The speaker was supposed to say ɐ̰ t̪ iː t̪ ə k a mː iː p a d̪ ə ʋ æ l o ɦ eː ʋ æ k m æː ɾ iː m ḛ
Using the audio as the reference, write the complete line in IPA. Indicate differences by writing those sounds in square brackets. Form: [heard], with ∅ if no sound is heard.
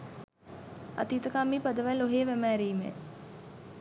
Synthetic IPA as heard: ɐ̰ t̪ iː t̪ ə k a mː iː p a d̪ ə ʋ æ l o ɦ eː ʋ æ [∅] m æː ɾ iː m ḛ